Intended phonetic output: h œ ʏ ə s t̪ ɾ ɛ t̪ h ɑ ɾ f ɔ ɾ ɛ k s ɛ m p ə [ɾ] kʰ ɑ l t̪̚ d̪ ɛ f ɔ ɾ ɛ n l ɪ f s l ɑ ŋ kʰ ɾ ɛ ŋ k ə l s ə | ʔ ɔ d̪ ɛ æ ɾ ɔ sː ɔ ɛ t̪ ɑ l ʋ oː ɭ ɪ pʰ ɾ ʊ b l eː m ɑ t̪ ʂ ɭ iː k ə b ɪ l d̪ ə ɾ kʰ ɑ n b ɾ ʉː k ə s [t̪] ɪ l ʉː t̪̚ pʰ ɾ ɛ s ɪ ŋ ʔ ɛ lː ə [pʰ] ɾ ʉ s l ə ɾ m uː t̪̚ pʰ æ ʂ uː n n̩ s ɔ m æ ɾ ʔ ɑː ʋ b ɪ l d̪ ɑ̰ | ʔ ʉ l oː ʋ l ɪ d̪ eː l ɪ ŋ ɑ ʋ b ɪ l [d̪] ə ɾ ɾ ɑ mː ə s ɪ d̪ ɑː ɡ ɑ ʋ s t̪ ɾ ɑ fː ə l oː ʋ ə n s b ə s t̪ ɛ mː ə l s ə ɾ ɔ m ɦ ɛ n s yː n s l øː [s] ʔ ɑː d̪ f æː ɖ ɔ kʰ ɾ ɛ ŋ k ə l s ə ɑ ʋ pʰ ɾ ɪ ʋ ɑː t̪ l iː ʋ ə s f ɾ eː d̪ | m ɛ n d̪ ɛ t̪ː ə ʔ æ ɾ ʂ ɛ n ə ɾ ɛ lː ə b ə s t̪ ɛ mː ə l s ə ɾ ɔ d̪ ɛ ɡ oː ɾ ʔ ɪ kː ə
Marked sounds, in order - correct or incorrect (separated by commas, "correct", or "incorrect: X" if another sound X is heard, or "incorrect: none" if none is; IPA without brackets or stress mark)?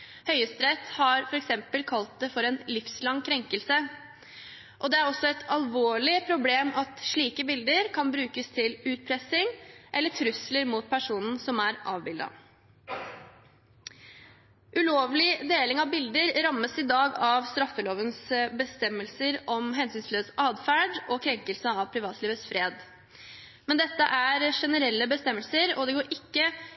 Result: incorrect: l, incorrect: t̪ʰ, incorrect: ʈʰ, correct, correct